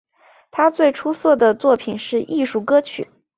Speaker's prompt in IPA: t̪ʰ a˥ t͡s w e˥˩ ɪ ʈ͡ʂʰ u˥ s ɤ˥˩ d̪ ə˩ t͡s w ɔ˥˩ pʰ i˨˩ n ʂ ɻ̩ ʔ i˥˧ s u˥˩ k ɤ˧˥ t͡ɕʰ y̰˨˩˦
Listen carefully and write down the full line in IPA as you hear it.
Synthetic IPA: t̪ʰ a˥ t͡s w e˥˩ ɪ ʈ͡ʂʰ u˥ s ɤ˥˩ d̪ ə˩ t͡s w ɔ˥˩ pʰ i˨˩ n ʂ ɻ̩ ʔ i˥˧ ʂ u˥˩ k ɤ˥ t͡ɕʰ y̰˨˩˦